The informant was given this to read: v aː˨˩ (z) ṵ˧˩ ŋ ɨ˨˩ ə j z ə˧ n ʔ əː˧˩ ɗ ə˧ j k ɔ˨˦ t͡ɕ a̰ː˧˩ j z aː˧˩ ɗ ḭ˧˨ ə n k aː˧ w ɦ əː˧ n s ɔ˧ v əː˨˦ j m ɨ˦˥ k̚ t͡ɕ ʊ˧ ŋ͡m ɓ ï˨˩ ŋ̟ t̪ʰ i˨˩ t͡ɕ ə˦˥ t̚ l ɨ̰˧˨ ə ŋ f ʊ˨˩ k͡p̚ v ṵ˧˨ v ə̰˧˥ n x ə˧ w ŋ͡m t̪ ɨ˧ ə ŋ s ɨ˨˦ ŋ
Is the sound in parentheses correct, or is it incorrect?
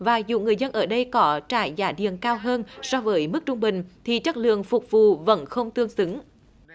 correct